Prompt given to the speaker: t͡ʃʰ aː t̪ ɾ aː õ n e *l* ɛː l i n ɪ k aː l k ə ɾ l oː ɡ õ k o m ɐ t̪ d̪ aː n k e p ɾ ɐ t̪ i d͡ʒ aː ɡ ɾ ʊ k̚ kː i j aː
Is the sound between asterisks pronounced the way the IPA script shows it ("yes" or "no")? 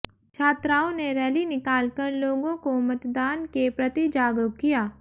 no